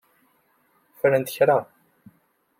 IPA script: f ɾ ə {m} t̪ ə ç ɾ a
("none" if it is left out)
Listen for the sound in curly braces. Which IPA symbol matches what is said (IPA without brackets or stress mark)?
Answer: n